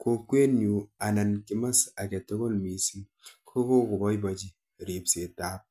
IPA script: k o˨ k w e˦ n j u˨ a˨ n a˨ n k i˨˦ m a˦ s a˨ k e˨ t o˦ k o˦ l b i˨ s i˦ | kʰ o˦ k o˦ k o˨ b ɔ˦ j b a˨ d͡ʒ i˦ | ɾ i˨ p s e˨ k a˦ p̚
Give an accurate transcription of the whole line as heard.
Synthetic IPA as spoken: k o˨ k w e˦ n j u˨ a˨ n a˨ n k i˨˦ m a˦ s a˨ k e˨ t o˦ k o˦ l m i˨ s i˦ | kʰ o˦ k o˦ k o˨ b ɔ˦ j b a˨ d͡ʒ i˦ | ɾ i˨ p s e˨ t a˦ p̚